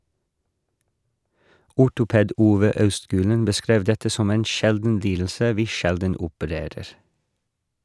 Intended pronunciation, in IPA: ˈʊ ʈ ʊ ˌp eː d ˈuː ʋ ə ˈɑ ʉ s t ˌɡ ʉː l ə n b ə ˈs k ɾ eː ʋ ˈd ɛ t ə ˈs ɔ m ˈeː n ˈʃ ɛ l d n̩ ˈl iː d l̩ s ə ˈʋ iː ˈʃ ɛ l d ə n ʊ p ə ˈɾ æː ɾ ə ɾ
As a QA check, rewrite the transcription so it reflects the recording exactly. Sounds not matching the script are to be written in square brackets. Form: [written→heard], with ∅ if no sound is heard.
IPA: ˈʊ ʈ ʊ ˌp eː d ˈuː ʋ ə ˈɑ ʉ s t ˌɡ ʉː l ə n b ə ˈs k ɾ eː ʋ ˈd ɛ t ə ˈs ɔ m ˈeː n ˈʃ ɛ l d n̩ ˈl iː d l̩ s ə ˈʋ iː ˈʃ ɛ l d ə n ʊ p ə ˈɾ [æː→eː] ɾ ə ɾ